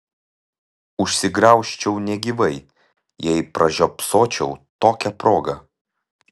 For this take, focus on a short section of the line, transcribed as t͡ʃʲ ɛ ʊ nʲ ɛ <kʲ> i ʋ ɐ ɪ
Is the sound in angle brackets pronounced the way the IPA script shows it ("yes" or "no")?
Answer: no